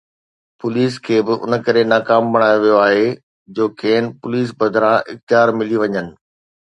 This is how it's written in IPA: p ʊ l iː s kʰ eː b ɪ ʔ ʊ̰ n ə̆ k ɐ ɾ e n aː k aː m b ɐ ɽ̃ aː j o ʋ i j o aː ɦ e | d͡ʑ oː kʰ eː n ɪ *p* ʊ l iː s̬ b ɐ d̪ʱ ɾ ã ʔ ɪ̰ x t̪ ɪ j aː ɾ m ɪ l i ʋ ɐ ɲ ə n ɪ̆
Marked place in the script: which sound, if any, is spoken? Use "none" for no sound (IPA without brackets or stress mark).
p